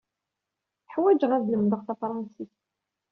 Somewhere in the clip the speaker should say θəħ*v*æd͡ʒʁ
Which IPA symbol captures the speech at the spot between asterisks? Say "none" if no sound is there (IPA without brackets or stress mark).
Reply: w